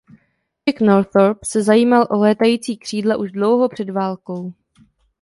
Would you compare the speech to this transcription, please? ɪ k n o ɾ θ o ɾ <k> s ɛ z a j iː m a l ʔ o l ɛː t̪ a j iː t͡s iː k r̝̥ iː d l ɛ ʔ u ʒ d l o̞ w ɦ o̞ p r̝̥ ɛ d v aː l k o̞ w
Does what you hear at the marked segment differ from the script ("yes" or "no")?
yes